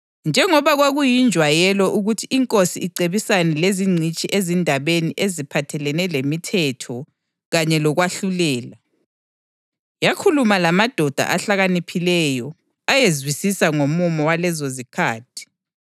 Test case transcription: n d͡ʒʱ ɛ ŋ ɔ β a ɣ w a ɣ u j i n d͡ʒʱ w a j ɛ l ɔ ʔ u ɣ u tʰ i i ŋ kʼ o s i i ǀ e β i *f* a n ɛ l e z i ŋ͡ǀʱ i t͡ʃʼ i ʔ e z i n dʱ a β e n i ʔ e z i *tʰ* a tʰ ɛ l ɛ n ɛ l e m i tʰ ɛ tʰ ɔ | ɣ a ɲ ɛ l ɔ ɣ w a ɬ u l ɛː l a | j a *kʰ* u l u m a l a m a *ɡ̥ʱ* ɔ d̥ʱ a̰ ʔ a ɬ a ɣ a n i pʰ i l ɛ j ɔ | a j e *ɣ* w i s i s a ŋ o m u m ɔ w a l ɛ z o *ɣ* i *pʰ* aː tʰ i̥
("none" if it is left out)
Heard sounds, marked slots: s, pʰ, kʰ, d̥ʱ, z, z, kʰ

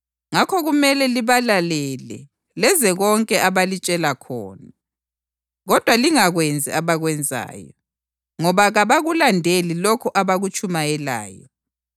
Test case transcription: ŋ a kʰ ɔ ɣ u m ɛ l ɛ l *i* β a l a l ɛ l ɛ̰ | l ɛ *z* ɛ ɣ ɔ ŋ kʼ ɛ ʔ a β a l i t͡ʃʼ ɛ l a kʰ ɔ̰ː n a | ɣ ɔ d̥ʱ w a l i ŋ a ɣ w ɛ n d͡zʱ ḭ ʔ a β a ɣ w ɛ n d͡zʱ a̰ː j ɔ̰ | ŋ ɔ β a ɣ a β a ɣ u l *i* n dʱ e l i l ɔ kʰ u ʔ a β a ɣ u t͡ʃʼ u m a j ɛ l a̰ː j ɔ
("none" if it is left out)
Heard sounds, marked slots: i, z, a

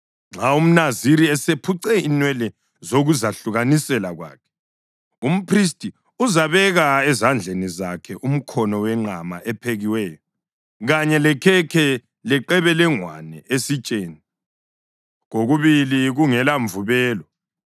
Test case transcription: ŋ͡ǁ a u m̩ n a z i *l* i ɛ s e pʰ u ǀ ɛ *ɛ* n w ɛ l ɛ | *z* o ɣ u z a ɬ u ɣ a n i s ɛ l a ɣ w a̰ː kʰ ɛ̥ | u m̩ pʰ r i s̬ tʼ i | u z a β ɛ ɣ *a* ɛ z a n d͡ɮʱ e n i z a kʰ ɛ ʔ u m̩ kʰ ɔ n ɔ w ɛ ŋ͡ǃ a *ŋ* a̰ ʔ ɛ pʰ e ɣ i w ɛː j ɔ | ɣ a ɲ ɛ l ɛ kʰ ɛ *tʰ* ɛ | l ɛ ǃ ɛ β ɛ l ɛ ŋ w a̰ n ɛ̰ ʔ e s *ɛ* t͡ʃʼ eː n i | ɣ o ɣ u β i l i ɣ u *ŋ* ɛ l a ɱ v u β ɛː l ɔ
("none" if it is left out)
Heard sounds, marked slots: ɾ, i, z, a, m, kʰ, i, ŋ

